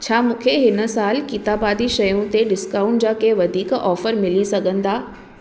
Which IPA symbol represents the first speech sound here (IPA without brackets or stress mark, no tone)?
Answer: t͡ɕʰ